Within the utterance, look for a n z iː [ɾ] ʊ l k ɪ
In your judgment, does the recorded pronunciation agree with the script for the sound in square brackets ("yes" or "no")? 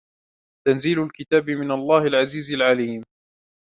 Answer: no